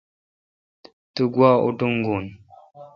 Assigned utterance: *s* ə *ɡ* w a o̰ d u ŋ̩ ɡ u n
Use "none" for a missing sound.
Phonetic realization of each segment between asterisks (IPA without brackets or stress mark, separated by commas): t, ɡ